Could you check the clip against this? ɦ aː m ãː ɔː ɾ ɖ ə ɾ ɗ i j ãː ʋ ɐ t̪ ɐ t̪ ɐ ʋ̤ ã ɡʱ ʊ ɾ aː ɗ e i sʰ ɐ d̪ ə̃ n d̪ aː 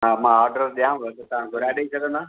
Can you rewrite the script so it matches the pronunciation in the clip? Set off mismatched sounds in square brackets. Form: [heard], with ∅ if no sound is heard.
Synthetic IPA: ɦ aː m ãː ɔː ɾ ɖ ə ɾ ɗ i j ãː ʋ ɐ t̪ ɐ t̪ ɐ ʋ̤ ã ɡʱ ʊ ɾ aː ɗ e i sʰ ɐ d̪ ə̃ n d̪ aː